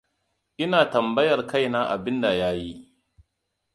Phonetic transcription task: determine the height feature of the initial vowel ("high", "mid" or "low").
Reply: high